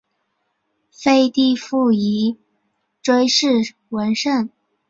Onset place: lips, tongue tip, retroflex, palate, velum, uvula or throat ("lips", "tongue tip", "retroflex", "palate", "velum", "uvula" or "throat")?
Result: lips